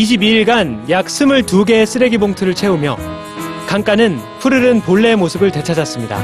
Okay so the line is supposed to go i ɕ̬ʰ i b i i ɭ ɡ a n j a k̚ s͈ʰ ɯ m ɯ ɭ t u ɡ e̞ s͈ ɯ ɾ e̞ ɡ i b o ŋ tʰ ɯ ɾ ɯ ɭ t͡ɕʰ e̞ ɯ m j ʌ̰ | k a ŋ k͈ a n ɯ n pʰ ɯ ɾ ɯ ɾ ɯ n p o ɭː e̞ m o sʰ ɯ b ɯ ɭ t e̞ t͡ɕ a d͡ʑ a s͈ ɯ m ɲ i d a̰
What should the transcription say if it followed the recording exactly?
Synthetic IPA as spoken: i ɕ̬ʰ i b i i ɭ ɡ a n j a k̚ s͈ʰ ɯ m ɯ ɭ t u ɡ e̞ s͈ ɯ ɾ e̞ ɡ i b o ŋ tʰ ɯ ɾ ɯ ɭ t͡ɕʰ e̞ u m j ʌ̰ | k a ŋ k͈ a n ɯ n pʰ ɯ ɾ ɯ ɾ ɯ n p o ɭː e̞ m o sʰ ɯ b ɯ ɭ t e̞ t͡ɕʰ a d͡ʑ a s͈ ɯ m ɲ i d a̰